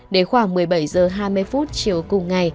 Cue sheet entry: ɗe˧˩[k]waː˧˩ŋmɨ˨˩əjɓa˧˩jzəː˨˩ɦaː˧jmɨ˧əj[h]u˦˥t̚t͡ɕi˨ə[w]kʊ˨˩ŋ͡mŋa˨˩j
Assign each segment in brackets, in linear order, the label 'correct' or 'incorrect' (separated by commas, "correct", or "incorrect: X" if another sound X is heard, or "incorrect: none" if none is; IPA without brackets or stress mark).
incorrect: x, incorrect: f, correct